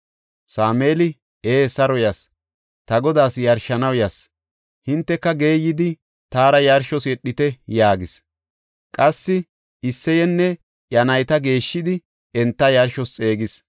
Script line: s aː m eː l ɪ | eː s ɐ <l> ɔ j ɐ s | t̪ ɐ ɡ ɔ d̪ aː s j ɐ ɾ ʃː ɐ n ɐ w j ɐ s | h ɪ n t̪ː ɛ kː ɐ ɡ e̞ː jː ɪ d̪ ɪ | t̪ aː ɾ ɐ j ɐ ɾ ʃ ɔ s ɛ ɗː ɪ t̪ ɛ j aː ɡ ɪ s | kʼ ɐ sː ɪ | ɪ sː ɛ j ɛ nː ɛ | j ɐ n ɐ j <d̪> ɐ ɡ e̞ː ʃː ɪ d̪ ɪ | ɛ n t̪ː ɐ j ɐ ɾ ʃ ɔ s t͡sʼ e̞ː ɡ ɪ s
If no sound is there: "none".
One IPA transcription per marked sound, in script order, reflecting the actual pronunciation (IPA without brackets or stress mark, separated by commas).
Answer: ɾ, t̪